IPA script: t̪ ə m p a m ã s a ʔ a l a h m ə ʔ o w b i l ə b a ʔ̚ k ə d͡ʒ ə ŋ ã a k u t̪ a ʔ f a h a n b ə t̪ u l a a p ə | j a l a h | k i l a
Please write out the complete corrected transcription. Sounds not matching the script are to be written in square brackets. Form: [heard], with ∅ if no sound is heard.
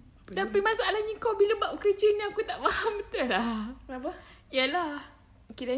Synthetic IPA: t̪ [a] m p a m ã s a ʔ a l a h [ɲ] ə [k] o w b i l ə b a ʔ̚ k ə d͡ʒ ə [n] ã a k u t̪ a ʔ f a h a [m] b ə t̪ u l a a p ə | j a l a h | k i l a